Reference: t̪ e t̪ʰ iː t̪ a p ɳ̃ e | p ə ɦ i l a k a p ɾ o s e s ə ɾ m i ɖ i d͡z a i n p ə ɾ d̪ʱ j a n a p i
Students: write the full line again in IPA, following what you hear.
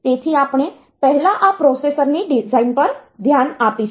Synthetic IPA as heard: t̪ e t̪ʰ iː a p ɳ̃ e | p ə ɦ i l a ʔ a p ɾ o s e s ə ɾ n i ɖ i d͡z a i n p ə ɾ d̪ʱ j a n a p i